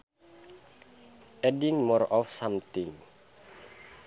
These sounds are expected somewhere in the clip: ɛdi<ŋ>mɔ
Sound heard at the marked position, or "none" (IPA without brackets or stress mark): ŋ